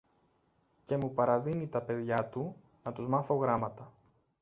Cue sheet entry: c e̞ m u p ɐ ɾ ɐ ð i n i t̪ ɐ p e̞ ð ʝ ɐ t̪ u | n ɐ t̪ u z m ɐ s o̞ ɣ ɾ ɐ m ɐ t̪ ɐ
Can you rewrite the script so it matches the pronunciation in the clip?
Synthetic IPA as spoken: c e̞ m u p ɐ ɾ ɐ ð i n i t̪ ɐ p e̞ ð ʝ ɐ t̪ u | n ɐ t̪ u z m ɐ θ o̞ ɣ ɾ ɐ m ɐ t̪ ɐ